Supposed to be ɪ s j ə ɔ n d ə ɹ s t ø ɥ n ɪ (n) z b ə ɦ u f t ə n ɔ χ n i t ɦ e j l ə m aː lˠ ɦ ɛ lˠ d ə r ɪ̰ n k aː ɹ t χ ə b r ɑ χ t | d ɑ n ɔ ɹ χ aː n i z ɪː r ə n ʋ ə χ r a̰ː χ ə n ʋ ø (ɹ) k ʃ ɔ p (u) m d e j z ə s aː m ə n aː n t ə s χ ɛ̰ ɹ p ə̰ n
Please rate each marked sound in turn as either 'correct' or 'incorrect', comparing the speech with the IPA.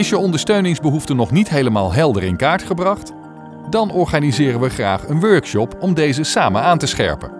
incorrect: ŋ, correct, incorrect: ɔ

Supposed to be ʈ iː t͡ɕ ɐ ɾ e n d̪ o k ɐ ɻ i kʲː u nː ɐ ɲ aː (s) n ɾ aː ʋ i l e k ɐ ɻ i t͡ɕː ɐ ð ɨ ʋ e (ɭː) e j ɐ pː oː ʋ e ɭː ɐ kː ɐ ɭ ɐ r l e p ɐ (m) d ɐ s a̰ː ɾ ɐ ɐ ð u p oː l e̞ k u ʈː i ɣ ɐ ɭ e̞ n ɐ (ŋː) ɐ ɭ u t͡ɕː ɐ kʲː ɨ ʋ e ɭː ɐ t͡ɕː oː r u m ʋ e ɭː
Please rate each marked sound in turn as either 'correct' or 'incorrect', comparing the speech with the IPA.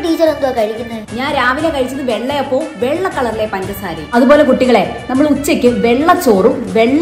incorrect: none, correct, incorrect: n, incorrect: mː

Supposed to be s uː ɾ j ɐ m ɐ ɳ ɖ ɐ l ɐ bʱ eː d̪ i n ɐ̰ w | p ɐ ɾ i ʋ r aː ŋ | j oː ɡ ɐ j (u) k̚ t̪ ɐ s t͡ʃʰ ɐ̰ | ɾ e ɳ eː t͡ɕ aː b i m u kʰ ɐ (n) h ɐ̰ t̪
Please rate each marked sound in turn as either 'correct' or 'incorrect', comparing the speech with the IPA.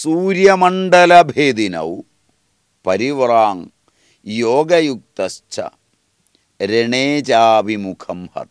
correct, incorrect: m

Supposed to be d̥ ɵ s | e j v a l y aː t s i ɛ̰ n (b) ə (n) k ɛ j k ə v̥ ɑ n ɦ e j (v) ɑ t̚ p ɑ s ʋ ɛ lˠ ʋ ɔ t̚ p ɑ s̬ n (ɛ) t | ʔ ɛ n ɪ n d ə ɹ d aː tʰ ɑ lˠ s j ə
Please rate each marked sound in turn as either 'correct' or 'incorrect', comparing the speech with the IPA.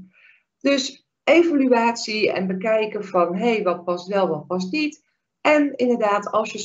correct, incorrect: none, incorrect: ʋ, incorrect: i

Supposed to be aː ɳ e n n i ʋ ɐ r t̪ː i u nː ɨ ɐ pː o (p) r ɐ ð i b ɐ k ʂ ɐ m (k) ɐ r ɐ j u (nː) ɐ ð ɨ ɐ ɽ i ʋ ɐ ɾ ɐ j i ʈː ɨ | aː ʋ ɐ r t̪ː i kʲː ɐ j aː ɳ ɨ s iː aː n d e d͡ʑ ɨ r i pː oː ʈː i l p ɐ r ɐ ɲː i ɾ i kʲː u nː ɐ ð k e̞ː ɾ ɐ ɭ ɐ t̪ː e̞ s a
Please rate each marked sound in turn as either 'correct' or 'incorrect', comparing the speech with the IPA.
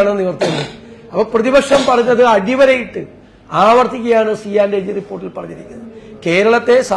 correct, incorrect: p, incorrect: ɲː

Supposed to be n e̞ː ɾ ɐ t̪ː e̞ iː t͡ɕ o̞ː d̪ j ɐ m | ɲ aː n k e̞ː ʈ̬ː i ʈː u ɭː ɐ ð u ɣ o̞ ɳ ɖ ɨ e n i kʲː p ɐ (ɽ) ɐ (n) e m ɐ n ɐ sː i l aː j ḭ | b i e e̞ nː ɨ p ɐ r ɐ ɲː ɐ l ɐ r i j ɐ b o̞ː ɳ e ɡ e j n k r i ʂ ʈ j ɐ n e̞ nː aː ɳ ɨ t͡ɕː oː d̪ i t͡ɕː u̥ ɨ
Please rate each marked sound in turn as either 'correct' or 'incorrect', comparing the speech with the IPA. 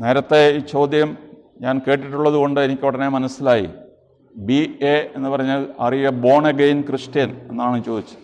correct, correct

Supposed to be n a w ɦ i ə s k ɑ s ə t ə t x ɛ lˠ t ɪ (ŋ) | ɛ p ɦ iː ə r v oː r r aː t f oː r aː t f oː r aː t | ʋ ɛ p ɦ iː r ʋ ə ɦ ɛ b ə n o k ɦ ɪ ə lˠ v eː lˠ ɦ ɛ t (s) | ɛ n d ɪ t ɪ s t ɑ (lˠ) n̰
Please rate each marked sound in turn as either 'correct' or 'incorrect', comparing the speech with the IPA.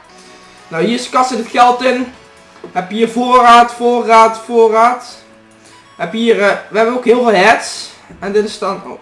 incorrect: n, correct, incorrect: none

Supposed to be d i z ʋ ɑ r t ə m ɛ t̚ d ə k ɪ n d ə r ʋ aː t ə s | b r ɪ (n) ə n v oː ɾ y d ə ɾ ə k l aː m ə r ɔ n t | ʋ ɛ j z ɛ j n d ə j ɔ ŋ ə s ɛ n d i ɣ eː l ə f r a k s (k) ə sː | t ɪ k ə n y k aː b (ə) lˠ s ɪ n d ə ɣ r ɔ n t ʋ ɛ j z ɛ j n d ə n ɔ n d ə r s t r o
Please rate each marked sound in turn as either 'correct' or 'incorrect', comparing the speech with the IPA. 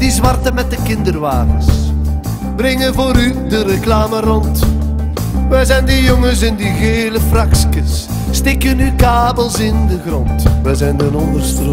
incorrect: ŋ, correct, correct

